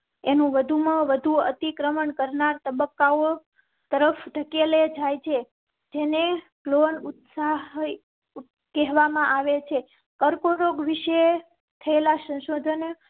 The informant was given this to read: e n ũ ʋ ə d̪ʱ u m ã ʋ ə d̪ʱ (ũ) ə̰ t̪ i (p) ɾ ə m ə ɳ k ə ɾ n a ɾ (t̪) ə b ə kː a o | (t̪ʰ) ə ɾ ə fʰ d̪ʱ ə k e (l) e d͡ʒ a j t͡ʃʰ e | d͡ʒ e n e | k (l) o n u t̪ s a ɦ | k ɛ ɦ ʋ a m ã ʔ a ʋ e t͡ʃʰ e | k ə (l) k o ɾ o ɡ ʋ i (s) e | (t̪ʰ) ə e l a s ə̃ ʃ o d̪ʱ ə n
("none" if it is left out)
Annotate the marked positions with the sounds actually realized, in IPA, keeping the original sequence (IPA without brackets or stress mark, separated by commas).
u, k, t̪, t̪, l, l, ɾ, ʃ, t̪ʰ